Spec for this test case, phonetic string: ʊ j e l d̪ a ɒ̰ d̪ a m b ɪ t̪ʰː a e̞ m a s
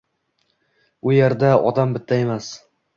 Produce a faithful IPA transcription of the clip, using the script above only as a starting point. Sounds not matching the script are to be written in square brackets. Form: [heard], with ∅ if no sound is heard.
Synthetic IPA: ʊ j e [ɾ] d̪ a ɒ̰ d̪ a m b ɪ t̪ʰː a e̞ m a s